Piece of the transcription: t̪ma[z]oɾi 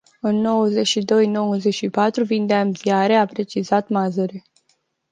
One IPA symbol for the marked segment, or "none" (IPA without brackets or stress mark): z